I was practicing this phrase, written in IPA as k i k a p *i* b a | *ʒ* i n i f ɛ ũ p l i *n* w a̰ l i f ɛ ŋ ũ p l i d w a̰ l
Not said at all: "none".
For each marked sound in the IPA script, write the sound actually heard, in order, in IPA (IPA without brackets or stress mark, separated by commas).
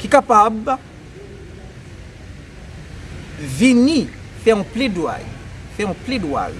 a, v, d